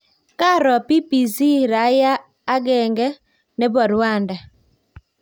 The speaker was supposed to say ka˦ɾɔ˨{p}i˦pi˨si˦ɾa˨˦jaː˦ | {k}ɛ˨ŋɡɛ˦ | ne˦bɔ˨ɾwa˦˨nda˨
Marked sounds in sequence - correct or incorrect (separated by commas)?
correct, incorrect